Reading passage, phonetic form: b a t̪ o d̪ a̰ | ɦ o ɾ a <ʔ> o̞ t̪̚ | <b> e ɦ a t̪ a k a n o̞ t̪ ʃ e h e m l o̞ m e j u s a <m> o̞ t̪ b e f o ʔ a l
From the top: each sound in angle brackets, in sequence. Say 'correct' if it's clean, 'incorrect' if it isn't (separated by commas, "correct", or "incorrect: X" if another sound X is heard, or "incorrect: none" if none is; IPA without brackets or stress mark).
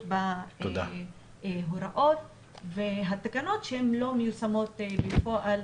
correct, incorrect: v, correct